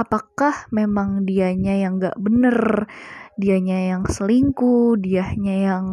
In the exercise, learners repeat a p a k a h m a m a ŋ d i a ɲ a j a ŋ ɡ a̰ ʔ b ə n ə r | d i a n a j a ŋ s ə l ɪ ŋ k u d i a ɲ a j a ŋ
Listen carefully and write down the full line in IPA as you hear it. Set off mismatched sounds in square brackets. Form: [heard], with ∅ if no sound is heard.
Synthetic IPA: a p a k a h m [e] m a ŋ d i a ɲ a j a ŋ ɡ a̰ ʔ b ə n ə r | d i a [ɲ] a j a ŋ s ə l [i] ŋ k u d i a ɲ a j a ŋ